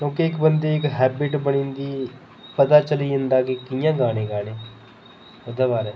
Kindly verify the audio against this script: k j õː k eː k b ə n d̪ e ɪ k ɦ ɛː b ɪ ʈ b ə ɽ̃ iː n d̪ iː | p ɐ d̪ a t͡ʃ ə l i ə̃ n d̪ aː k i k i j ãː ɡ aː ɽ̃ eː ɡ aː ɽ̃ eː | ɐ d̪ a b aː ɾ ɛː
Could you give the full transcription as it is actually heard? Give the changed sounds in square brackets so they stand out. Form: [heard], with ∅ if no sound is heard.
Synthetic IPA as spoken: k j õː k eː k b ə n d̪ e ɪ k ɦ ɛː b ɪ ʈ b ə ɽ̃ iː n d̪ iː | p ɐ [t̪] a t͡ʃ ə l i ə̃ n d̪ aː k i k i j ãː ɡ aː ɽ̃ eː ɡ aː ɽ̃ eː | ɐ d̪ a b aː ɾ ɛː